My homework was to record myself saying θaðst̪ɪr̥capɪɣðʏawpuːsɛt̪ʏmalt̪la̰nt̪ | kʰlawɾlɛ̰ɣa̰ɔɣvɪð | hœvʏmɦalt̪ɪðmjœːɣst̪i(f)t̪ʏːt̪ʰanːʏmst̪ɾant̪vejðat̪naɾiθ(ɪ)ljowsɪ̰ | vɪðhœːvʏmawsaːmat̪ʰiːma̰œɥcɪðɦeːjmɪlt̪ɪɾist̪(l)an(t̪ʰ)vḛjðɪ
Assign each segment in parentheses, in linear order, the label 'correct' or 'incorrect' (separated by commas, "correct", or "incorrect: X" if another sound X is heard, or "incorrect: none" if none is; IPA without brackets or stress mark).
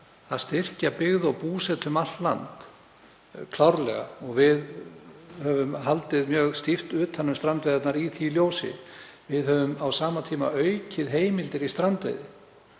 correct, incorrect: i, incorrect: ɾ, incorrect: t̪